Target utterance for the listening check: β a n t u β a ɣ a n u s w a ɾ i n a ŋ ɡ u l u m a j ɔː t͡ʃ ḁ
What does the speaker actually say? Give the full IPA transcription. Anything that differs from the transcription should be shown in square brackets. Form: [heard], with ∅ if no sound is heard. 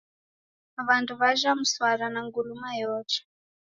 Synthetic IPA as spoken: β a n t u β a [ʒ] a [m] u s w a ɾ [a] n a ŋ ɡ u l u m a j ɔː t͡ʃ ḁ

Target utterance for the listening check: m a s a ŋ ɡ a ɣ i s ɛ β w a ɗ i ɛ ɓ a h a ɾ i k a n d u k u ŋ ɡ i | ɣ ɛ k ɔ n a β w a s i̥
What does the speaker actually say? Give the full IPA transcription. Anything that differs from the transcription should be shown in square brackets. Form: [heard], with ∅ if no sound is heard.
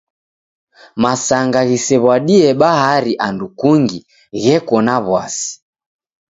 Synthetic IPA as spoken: m a s a ŋ ɡ a ɣ i s ɛ β w a ɗ i ɛ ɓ a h a ɾ i [ʔ] a n d u k u ŋ ɡ i | ɣ ɛ k ɔ n a β w a s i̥

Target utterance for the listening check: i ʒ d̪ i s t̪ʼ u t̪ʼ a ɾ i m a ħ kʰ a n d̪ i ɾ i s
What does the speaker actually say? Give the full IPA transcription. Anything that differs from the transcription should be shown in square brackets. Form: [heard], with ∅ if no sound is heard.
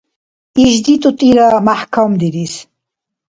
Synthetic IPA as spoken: i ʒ d̪ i [∅] t̪ʼ u t̪ʼ [i] ɾ [a] m a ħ kʰ a [m] d̪ i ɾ i s

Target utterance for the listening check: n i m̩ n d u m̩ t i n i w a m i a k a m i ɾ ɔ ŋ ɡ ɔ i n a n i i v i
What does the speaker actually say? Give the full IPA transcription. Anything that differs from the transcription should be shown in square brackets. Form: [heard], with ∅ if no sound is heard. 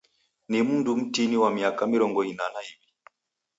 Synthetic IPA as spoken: n i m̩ n d u m̩ t i n i w a m i a k a m i ɾ ɔ ŋ ɡ ɔ i n a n [a] i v i

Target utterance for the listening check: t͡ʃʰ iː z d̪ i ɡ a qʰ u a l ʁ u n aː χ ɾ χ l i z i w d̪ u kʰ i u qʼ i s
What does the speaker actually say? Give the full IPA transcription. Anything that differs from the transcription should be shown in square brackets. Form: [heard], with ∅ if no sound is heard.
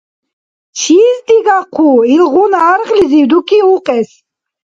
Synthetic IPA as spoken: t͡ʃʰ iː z d̪ i ɡ a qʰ u [i] l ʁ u n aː [∅] ɾ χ l i z i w d̪ u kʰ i u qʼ [ɛ] s

